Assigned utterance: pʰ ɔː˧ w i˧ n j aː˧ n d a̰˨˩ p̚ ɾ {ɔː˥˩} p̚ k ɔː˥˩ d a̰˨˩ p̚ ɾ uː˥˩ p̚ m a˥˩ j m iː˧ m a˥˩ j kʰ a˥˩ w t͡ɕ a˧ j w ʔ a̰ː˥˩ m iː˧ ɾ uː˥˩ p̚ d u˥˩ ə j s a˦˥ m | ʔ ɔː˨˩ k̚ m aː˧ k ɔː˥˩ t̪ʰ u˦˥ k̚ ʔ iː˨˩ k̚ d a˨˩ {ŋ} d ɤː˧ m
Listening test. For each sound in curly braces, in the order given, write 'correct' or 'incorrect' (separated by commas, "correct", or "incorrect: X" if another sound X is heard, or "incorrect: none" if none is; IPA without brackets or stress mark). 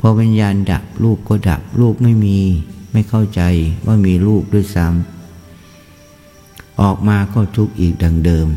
incorrect: uː˥˩, correct